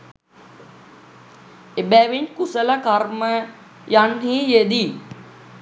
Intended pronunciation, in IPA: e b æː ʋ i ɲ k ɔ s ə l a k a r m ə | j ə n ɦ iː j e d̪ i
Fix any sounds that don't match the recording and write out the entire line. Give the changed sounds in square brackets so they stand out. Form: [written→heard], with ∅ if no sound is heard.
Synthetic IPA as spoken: e b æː ʋ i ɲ k [ɔ→u] s ə l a k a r m ə | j [ə→a] n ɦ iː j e d̪ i